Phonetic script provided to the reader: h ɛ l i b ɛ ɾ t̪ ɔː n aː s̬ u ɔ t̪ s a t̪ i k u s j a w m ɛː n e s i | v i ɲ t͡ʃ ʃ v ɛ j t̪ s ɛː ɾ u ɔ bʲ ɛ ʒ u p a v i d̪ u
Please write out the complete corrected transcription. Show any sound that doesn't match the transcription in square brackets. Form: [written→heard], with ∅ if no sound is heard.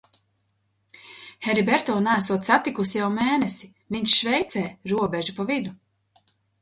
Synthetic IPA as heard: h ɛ [l→ɾ] i b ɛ ɾ t̪ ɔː n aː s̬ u ɔ t̪ s a t̪ i k u s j a w m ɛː n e s i | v i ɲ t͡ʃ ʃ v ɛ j t̪ s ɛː ɾ u ɔ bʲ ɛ ʒ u p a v i d̪ u

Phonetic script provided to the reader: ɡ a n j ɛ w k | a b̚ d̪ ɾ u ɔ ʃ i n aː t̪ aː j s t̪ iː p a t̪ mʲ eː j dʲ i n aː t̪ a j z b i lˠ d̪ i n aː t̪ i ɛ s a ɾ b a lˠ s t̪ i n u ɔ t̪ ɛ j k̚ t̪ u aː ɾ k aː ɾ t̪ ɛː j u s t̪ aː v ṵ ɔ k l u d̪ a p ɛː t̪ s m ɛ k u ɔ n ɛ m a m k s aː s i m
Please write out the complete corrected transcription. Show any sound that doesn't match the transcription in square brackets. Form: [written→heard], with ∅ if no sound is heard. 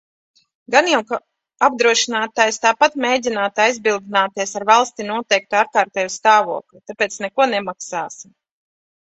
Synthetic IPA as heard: ɡ a n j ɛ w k | a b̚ d̪ ɾ u ɔ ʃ i n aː t̪ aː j s t̪ [iː→aː] p a t̪ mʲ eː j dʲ i n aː t̪ a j z b i lˠ d̪ i n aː t̪ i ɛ s a ɾ [b→v] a lˠ s t̪ i n u ɔ t̪ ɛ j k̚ t̪ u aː ɾ k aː ɾ t̪ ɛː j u s t̪ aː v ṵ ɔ k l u [d̪→t̪] a p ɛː t̪ s [m→n] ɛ k u ɔ n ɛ m a [m→∅] k s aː s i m

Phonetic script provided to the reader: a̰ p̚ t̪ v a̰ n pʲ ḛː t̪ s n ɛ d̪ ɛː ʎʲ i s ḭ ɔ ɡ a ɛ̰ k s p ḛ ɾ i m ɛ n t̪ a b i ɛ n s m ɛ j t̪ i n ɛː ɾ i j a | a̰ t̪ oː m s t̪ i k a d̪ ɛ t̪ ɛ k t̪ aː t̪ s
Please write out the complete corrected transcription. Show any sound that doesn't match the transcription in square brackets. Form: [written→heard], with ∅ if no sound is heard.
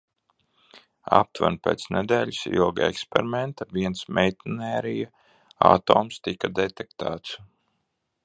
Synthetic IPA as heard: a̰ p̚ t̪ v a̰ n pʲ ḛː t̪ s n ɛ d̪ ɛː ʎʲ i s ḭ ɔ ɡ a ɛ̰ k s p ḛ ɾ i m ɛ n t̪ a [b→v] i ɛ n s m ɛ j t̪ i n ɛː ɾ i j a | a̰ t̪ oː m s t̪ i k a d̪ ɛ t̪ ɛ k t̪ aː t̪ s

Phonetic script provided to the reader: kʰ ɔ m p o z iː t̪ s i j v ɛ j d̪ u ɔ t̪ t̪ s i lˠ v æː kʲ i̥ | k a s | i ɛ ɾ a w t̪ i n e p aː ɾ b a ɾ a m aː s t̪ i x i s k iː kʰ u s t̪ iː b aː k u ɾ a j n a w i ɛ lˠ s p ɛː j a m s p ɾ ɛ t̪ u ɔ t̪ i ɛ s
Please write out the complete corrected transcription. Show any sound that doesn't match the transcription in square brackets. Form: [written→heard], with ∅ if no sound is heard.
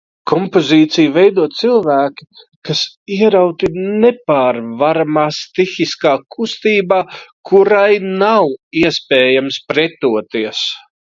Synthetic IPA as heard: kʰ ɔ m p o z iː t̪ s i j v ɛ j d̪ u ɔ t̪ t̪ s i lˠ v æː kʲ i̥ | k a s | i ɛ ɾ a w t̪ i n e p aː ɾ [b→v] a ɾ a m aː s t̪ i x i s k [iː→aː] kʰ u s t̪ iː b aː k u ɾ a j n a w i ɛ [lˠ→∅] s p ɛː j a m s p ɾ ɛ t̪ u ɔ t̪ i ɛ s

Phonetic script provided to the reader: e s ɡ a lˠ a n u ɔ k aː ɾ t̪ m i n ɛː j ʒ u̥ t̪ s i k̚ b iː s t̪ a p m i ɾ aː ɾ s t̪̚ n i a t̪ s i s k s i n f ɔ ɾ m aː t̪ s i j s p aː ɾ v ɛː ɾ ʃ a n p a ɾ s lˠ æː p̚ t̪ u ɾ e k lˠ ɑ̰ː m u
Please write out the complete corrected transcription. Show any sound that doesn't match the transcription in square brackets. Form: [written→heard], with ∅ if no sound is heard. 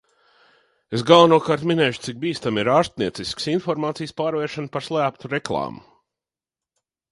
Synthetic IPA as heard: e s ɡ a lˠ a n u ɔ k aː ɾ t̪ m i n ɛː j [ʒ→ʃ] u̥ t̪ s i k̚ b iː s t̪ a [p→∅] m i ɾ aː ɾ s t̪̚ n i [a→ɛ] t̪ s i s k s i n f ɔ ɾ m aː t̪ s i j s p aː ɾ v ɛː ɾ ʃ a n p a ɾ s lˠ æː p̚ t̪ u ɾ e k lˠ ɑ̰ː m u

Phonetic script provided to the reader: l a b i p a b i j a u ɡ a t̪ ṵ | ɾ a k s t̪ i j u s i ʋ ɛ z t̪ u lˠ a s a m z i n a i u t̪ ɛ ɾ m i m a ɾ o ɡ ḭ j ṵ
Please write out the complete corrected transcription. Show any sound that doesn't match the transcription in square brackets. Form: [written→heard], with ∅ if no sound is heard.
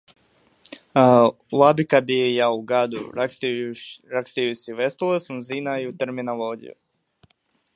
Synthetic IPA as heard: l a b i [p→k] a b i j a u ɡ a [t̪→d̪] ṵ | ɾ a k s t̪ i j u s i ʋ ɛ [z→s] t̪ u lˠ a s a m z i n a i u t̪ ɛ ɾ m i [m→n] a [ɾ→l] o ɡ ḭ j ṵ

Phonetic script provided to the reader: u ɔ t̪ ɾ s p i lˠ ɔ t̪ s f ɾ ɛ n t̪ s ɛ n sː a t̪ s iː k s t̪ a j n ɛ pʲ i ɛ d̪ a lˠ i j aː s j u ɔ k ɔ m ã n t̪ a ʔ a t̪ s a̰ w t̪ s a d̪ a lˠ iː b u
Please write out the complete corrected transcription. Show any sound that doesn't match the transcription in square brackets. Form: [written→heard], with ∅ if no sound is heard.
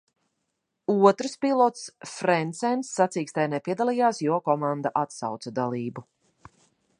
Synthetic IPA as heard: u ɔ t̪ ɾ s p i lˠ ɔ t̪ s f ɾ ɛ n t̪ s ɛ n sː a t̪ s iː k s t̪ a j n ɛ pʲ i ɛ d̪ a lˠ i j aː s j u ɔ k ɔ m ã n [t̪→d̪] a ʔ a t̪ s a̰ w t̪ s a d̪ a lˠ iː b u

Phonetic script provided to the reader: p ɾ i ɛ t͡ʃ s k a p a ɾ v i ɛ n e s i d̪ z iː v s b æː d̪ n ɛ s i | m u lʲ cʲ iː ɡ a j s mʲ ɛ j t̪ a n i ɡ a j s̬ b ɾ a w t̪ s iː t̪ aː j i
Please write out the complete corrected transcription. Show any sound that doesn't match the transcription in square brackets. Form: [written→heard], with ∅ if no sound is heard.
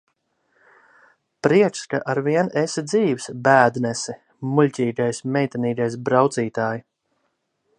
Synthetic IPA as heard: p ɾ i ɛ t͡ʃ s k a [p→ʔ] a ɾ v i ɛ n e s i d̪ z iː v s b æː d̪ n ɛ s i | m u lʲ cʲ iː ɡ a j s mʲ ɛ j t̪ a n [i→iː] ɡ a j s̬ b ɾ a w t̪ s iː t̪ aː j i

